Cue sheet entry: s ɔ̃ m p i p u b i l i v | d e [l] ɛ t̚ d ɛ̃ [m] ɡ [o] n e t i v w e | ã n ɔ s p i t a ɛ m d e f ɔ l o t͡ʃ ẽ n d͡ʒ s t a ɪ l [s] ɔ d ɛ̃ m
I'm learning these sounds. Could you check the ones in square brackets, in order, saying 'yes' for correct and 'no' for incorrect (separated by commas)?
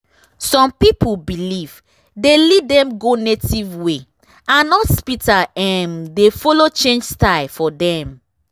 yes, yes, yes, no